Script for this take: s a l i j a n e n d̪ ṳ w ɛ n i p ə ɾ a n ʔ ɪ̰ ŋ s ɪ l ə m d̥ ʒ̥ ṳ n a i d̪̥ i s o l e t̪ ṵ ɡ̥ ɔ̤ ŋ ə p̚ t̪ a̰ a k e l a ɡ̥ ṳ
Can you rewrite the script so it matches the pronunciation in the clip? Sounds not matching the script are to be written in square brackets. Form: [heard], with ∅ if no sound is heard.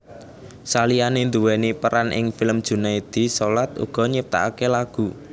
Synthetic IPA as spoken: s a l i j a n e n d̪ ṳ w ɛ n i p ə ɾ a n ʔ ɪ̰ ŋ [f] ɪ l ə m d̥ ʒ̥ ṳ n a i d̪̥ i s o l [a] t̪ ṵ ɡ̥ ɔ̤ [ɲ] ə p̚ t̪ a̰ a k e l a ɡ̥ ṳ